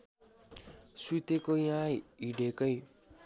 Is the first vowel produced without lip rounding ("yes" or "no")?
no